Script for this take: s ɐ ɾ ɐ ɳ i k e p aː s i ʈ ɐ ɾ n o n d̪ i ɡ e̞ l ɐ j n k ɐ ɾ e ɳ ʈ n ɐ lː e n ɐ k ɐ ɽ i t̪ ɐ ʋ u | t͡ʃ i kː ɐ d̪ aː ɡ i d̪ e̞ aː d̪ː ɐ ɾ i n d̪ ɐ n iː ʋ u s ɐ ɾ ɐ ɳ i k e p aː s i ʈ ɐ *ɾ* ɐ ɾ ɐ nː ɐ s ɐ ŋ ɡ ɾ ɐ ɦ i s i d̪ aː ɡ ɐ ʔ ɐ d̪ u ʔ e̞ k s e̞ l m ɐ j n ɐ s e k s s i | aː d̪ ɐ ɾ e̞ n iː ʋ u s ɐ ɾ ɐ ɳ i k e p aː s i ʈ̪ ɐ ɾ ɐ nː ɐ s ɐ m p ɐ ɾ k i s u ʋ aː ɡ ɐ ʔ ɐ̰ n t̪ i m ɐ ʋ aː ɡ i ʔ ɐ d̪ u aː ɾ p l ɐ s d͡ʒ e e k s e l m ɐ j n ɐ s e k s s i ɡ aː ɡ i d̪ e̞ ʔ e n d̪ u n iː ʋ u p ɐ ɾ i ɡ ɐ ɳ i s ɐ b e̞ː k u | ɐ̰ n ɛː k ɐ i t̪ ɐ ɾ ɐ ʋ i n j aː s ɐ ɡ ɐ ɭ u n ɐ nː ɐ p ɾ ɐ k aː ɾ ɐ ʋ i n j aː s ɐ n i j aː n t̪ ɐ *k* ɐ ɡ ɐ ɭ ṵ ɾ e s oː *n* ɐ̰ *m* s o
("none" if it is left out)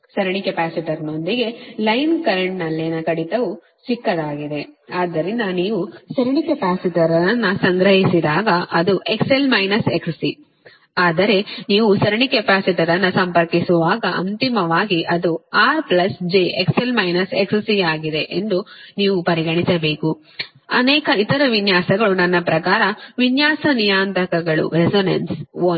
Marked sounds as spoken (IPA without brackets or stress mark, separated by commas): ɾ, k, n, n